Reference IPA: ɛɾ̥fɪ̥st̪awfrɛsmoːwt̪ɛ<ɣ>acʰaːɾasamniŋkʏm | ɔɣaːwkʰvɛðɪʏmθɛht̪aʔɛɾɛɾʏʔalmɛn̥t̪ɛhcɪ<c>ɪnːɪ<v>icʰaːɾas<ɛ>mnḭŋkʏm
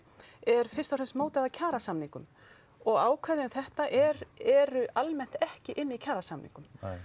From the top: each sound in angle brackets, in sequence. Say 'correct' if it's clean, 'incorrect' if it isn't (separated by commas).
incorrect, incorrect, incorrect, incorrect